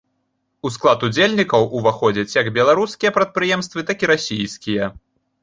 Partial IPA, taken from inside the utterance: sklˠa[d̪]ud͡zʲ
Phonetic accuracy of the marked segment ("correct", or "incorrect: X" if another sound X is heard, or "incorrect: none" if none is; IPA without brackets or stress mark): incorrect: t̪